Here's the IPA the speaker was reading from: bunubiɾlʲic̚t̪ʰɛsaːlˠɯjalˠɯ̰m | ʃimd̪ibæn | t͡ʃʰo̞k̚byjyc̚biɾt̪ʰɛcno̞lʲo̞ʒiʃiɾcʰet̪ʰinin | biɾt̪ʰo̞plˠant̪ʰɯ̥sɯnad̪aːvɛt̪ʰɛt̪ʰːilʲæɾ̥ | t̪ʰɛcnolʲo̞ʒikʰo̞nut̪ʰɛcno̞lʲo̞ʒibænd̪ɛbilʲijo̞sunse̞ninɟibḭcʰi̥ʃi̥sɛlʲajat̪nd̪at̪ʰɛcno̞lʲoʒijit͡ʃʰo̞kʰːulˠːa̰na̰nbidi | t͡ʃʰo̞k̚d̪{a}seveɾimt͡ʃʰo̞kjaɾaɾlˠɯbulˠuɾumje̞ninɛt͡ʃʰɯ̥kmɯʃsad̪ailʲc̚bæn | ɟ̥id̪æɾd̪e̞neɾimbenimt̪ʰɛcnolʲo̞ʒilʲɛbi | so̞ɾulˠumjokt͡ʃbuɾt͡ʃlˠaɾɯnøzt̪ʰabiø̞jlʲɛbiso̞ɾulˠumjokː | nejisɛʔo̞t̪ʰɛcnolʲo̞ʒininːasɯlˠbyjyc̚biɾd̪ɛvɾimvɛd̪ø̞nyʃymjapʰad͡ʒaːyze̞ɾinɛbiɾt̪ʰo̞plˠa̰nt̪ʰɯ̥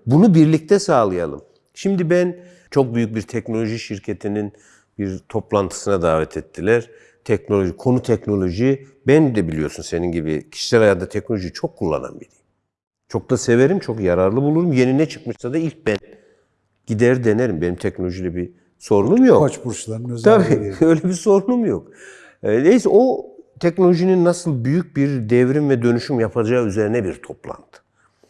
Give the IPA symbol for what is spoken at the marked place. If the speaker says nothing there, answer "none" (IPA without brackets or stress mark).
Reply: a